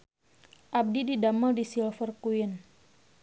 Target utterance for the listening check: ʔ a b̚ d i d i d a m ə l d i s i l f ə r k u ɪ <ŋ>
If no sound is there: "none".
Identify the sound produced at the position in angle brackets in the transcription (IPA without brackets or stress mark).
n